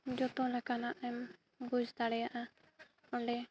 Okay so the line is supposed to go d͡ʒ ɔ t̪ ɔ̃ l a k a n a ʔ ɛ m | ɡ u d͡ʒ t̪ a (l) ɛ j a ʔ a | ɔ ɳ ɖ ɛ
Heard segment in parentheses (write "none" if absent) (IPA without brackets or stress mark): ɽ